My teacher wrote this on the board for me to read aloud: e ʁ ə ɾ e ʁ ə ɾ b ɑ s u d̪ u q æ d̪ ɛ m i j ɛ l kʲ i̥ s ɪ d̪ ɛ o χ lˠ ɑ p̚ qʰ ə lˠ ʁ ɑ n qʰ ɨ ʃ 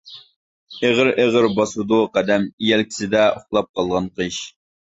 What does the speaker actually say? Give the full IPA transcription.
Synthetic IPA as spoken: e ʁ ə ɾ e ʁ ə ɾ b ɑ s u d̪ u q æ d̪ ɛ m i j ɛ l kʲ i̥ s ɪ d̪ ɛ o χ lˠ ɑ p̚ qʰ ɑ lˠ ʁ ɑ n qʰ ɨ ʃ